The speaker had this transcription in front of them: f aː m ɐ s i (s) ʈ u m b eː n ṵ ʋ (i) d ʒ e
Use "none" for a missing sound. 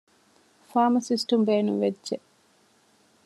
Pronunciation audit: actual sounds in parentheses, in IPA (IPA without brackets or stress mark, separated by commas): s, e